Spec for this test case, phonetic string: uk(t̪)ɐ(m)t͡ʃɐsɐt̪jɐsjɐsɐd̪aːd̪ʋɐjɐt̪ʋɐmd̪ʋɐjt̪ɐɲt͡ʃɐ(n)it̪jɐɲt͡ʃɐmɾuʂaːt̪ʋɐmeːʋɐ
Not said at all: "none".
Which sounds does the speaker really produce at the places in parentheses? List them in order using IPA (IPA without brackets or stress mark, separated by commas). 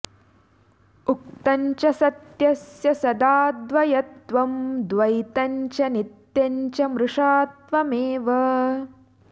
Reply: t̪, ɲ, n